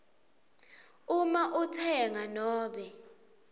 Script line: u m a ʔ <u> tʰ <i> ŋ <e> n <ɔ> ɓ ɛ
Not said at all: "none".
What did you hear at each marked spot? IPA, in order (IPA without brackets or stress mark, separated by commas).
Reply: u, ɛ, a, ɔː